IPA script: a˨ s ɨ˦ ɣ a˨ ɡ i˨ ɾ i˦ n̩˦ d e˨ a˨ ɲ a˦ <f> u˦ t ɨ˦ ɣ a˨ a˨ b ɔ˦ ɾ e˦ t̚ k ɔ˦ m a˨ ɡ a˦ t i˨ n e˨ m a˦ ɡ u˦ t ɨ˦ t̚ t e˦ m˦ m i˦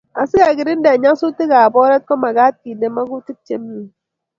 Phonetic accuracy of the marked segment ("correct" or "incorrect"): incorrect